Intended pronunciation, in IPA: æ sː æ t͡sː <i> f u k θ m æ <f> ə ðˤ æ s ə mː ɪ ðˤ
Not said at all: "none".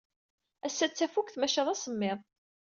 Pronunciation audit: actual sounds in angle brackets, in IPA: æ, ʃ

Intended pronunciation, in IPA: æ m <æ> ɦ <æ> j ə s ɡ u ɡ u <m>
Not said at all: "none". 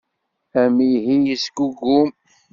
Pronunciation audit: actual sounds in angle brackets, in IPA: i, i, m

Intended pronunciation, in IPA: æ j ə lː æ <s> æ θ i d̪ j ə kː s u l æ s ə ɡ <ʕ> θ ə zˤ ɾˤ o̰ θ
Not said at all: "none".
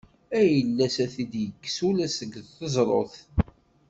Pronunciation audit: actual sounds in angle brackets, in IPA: s, ð

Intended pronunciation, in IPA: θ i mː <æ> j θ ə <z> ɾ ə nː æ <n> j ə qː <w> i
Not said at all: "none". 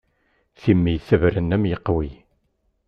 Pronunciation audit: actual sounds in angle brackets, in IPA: i, v, m, w

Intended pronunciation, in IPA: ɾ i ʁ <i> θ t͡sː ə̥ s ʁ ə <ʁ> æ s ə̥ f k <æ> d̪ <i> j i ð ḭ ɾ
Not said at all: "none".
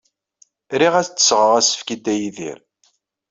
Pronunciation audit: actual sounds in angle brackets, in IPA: æ, ʁ, i, æ

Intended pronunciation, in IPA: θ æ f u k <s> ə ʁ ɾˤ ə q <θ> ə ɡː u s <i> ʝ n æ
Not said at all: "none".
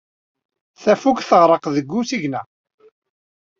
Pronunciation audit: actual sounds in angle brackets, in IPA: θ, ð, i

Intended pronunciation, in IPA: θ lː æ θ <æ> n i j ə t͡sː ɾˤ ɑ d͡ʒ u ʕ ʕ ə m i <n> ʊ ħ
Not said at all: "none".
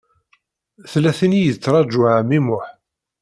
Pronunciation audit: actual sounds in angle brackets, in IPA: i, m

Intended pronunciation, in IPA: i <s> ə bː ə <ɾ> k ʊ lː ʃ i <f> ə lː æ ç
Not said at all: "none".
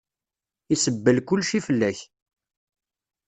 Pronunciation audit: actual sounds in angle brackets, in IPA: s, l, f

